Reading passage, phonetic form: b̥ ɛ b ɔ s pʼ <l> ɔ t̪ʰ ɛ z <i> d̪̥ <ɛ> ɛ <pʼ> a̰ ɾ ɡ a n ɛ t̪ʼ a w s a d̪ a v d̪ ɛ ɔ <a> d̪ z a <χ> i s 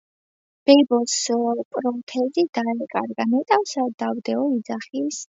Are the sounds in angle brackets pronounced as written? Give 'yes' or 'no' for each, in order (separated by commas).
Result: no, yes, no, no, no, yes